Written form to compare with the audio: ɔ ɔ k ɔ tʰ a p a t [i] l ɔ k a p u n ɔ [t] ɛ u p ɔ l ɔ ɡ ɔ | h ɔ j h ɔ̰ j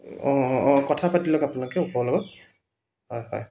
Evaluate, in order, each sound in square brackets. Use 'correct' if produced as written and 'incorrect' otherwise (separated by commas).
correct, incorrect